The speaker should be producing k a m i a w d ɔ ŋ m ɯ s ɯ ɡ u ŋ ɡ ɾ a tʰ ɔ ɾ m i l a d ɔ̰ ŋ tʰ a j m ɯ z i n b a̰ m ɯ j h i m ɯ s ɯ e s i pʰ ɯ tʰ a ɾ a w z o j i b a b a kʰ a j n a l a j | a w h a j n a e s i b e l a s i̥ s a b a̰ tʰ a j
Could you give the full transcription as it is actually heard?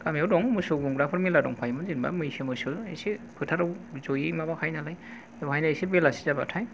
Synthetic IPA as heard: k a m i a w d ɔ ŋ m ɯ s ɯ ɡ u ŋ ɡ ɾ a pʰ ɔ ɾ m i l a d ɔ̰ ŋ pʰ a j m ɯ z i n b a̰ m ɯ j s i m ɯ s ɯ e s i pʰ ɯ tʰ a ɾ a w z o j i m a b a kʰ a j n a l a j | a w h a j n a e s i b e l a s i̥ z a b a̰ tʰ a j